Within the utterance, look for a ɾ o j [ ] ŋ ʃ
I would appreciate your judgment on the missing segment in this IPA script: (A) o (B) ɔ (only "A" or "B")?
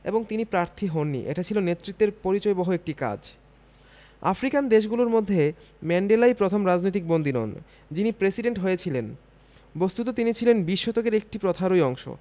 B